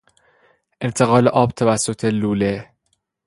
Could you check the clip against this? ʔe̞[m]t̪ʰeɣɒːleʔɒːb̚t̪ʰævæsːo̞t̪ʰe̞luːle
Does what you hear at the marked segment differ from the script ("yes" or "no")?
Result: yes